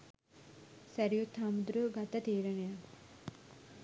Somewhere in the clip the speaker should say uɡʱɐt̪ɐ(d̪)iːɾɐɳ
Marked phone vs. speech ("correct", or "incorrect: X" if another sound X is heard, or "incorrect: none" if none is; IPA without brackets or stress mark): incorrect: t̪